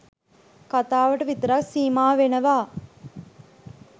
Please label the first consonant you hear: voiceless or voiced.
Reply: voiceless